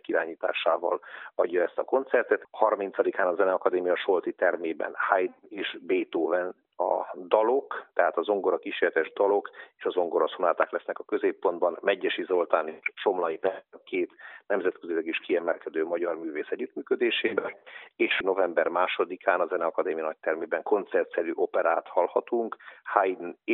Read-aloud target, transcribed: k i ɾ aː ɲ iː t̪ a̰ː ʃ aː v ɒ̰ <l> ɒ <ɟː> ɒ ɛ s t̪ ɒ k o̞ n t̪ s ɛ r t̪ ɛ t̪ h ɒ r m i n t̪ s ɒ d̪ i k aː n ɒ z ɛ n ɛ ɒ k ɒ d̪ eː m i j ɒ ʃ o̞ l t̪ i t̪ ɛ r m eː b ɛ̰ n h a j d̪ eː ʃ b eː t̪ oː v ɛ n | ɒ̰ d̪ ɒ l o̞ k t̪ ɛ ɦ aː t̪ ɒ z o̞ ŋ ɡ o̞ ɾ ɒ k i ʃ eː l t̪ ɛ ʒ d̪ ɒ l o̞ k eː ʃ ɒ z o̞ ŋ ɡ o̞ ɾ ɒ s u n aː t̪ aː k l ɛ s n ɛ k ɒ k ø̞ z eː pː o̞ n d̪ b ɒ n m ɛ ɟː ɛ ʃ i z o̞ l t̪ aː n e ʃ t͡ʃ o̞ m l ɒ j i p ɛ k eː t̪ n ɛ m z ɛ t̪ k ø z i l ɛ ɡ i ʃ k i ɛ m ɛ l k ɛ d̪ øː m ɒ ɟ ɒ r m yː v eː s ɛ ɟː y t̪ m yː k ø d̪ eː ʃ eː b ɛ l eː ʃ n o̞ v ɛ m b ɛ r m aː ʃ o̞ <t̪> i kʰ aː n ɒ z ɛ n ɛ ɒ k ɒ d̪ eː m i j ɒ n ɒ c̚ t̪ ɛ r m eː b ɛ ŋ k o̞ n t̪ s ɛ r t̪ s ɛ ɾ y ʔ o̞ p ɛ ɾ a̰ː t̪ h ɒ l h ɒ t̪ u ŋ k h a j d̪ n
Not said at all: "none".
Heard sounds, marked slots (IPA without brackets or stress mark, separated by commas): l, ɟː, d̪